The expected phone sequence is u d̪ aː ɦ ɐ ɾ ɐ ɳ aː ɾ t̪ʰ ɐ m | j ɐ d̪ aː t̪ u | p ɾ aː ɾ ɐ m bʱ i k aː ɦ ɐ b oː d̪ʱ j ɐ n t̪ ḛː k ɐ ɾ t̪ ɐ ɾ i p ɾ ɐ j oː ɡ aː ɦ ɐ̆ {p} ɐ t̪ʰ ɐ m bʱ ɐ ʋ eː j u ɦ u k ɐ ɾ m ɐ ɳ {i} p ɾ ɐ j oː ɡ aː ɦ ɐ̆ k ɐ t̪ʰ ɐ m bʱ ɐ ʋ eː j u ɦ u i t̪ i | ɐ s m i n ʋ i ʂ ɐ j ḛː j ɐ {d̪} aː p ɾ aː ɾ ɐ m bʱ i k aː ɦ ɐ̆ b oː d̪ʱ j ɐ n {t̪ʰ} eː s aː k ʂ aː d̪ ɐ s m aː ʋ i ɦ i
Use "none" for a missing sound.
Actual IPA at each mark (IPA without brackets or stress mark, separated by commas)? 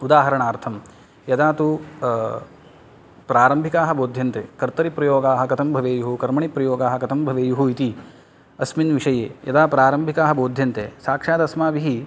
k, i, d̪, t̪